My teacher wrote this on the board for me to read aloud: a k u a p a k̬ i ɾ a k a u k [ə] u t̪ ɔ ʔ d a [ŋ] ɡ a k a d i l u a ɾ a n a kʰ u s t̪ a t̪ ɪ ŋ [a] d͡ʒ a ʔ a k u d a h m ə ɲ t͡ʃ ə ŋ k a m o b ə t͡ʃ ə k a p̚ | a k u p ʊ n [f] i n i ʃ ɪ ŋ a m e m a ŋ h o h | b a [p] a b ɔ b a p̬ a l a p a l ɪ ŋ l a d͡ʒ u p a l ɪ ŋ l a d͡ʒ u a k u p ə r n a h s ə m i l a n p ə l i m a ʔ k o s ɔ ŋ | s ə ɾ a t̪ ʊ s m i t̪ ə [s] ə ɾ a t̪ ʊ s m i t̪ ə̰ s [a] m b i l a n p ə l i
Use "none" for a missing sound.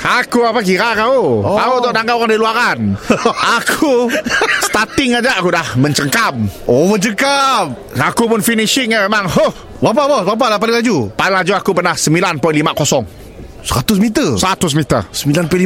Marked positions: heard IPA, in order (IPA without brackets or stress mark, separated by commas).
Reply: a, ŋ, a, f, p, s, ə